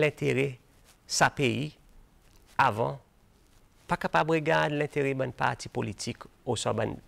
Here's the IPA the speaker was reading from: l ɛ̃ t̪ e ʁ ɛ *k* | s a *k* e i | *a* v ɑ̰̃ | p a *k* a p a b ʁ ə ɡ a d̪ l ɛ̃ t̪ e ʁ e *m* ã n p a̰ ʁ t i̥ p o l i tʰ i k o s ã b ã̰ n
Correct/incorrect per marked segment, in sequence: incorrect: none, incorrect: p, correct, correct, incorrect: b

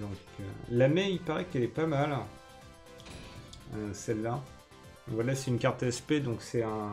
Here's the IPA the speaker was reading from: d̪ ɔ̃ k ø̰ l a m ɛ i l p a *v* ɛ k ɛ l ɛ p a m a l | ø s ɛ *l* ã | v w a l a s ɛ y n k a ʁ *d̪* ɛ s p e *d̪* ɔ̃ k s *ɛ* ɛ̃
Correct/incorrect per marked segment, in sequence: incorrect: ʁ, incorrect: lː, incorrect: t̪, correct, correct

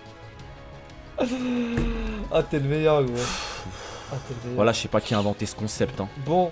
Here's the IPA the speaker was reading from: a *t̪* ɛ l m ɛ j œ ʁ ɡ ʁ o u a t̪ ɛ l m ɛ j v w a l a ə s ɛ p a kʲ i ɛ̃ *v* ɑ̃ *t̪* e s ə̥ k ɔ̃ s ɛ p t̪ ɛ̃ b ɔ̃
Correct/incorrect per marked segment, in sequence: correct, correct, correct

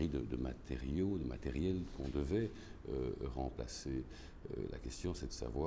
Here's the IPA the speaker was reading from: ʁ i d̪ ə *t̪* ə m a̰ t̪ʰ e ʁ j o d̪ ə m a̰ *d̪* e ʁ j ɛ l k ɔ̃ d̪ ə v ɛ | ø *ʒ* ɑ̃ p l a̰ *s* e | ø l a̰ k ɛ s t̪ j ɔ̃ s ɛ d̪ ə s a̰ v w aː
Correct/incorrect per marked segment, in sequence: incorrect: d̪, incorrect: t̪, incorrect: ʁ, correct

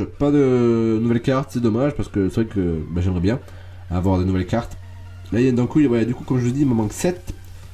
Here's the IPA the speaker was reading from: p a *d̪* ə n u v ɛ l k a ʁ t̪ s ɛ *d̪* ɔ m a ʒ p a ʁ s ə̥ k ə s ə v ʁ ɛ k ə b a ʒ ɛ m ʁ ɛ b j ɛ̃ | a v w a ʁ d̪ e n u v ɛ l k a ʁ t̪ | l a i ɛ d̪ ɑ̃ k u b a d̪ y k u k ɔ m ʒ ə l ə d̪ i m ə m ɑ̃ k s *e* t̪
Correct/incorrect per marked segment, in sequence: correct, correct, incorrect: ɛ

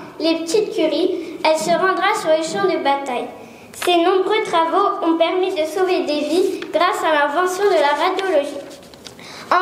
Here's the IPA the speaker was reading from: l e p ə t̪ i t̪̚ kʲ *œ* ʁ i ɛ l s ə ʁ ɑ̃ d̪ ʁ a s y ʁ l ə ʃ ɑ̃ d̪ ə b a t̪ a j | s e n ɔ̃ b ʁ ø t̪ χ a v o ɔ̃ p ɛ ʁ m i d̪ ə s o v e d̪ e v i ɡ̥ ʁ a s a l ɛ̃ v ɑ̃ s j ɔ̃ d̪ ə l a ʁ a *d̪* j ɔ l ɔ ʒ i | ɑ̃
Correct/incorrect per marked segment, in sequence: incorrect: y, correct

